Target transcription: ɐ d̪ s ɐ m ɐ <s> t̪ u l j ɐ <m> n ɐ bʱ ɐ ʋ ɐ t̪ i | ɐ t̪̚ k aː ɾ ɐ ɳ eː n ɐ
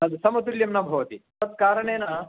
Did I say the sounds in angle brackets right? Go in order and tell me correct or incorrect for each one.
incorrect: none, correct

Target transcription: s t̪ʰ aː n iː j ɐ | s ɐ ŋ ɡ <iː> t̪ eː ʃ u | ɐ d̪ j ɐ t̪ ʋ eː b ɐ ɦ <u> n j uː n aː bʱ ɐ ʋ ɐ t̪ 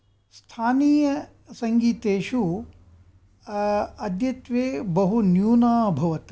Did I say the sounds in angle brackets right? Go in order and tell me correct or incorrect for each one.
correct, correct

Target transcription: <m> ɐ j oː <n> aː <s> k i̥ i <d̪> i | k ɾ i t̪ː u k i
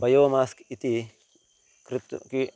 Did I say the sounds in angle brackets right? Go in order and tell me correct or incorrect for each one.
incorrect: b, incorrect: m, correct, incorrect: t̪

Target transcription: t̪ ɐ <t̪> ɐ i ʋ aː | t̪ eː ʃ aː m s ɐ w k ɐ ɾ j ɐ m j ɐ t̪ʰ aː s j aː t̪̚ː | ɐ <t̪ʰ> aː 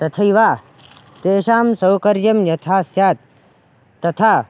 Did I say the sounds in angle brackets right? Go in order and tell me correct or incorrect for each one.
incorrect: t̪ʰ, correct

